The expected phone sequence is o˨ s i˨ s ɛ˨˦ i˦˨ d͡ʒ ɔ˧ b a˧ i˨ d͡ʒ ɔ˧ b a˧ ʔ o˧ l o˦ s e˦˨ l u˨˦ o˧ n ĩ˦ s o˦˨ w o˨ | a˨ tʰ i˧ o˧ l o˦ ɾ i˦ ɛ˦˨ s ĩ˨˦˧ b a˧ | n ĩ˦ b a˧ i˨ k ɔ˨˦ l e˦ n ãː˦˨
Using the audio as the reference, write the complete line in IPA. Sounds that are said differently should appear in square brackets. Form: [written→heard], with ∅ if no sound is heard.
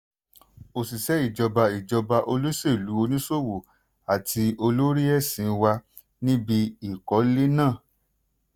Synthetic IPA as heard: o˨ s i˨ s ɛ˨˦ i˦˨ d͡ʒ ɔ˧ b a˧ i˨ d͡ʒ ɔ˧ b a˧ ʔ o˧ l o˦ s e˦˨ l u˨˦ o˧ n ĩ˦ s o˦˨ w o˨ | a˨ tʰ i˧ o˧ l o˦ ɾ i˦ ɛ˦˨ s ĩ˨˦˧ [b→w] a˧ | n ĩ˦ b [a˧→i˧] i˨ k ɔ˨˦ l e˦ n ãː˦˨